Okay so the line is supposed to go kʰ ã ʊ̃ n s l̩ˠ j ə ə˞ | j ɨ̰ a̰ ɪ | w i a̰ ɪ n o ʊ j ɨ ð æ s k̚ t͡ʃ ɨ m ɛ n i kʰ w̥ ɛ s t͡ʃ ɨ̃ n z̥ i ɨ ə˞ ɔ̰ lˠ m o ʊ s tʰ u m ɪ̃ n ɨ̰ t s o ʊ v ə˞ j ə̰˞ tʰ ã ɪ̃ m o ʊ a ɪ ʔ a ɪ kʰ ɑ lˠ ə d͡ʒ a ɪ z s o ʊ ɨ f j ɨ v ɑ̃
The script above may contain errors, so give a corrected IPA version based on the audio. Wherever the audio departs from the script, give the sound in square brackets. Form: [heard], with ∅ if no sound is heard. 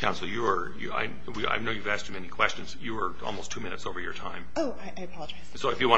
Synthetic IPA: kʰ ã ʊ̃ n s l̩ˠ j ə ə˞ | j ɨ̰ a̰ ɪ | w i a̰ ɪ n o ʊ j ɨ [v] æ s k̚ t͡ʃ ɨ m ɛ n i kʰ w̥ ɛ s t͡ʃ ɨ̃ n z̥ [j] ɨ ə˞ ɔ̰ lˠ m o ʊ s tʰ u m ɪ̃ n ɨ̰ t s o ʊ v ə˞ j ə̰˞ tʰ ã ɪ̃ m o ʊ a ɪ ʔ a ɪ [pʰ] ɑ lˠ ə d͡ʒ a ɪ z s o ʊ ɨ f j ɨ [w] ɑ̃